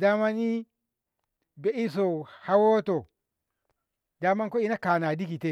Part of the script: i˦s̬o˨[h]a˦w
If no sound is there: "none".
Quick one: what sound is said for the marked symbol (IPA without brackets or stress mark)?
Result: h